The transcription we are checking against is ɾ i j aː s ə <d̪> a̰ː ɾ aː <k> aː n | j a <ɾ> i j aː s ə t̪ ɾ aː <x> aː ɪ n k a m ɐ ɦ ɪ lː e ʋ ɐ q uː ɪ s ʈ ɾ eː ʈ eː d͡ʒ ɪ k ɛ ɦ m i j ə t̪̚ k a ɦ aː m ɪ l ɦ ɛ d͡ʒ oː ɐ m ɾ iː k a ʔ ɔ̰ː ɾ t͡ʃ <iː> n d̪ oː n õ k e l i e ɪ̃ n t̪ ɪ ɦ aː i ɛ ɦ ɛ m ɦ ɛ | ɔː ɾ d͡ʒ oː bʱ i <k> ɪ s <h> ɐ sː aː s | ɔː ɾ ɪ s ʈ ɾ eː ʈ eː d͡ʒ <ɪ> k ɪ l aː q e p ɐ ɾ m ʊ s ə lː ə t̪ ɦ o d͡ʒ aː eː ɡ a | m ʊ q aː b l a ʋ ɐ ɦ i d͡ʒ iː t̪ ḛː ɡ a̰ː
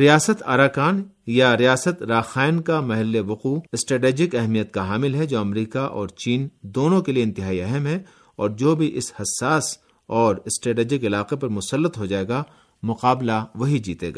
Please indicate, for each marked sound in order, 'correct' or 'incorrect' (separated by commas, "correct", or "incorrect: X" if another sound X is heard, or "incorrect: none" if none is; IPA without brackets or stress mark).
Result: incorrect: t̪, correct, correct, correct, correct, incorrect: ʔ, correct, correct